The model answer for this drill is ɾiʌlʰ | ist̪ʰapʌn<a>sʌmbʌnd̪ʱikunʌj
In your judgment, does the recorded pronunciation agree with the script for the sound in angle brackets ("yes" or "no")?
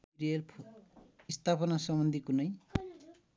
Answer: yes